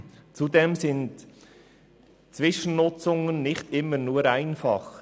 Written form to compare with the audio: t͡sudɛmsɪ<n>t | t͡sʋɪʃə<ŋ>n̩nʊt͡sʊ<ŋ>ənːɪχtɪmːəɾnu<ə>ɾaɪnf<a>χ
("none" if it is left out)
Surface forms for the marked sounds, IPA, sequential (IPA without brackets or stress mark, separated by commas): n, none, ŋ, ə, ɑ